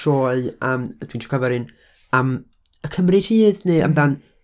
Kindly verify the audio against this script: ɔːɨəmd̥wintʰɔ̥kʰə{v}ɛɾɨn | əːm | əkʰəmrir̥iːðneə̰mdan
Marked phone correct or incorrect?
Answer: correct